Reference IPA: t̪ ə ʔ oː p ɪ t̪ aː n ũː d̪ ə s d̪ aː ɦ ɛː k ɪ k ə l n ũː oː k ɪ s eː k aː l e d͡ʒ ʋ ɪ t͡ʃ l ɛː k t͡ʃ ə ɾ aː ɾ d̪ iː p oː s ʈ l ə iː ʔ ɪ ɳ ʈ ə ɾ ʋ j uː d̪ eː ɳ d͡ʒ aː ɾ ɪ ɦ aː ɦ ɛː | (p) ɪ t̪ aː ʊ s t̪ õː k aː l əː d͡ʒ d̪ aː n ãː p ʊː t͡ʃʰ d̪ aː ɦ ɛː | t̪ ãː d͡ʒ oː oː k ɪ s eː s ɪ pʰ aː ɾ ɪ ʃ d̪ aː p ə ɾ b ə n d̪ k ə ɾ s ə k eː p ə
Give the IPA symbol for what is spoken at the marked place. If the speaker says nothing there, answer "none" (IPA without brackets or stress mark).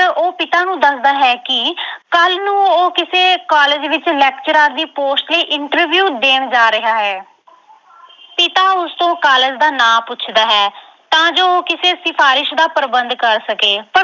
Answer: p